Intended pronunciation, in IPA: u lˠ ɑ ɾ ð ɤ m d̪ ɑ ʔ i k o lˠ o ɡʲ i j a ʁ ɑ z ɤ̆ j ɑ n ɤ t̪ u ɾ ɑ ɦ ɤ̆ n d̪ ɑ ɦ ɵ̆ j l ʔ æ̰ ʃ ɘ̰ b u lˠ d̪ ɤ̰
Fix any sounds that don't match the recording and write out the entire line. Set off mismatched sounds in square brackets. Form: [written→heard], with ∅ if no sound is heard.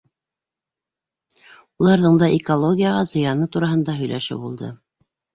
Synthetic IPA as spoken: u lˠ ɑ ɾ ð ɤ [m→ɴ] d̪ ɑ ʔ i k o lˠ o ɡʲ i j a ʁ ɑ z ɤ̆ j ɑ n ɤ t̪ u ɾ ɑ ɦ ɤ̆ n d̪ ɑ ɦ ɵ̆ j l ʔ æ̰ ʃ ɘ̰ b u lˠ d̪ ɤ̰